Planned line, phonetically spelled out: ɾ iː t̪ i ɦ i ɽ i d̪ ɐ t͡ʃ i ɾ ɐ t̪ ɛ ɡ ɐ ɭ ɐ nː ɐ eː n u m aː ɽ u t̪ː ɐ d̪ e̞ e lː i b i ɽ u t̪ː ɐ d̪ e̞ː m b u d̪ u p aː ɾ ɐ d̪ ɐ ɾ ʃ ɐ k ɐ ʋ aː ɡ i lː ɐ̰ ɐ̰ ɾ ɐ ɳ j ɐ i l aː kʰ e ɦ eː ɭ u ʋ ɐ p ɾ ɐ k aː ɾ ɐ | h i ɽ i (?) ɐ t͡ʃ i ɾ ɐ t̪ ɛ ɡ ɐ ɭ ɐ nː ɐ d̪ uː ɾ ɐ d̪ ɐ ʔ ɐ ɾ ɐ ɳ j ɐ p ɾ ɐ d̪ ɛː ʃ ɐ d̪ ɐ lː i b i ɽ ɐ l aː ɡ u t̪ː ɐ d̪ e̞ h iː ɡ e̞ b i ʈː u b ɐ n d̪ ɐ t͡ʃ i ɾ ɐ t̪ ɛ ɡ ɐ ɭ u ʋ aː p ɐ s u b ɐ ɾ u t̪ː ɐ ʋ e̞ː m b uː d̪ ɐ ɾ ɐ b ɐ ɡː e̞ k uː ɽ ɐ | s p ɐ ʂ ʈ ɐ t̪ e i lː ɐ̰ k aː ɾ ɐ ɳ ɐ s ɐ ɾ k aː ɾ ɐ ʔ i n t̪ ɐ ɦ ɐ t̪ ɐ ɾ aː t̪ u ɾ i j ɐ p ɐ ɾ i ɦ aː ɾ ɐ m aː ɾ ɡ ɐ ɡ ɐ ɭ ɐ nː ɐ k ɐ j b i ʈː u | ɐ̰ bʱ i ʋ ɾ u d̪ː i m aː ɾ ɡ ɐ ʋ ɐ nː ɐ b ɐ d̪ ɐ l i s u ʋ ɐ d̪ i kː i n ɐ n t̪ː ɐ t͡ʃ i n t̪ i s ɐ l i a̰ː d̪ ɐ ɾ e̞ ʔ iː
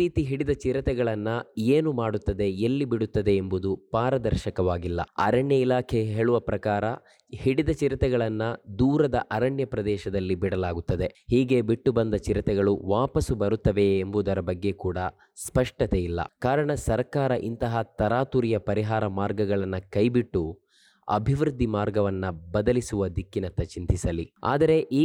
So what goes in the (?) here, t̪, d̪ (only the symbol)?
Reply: d̪